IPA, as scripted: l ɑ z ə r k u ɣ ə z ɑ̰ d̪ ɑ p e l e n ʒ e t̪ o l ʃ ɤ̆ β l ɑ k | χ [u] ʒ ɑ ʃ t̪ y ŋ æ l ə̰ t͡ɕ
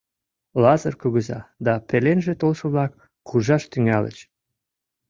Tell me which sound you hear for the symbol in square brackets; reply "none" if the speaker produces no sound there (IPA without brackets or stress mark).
u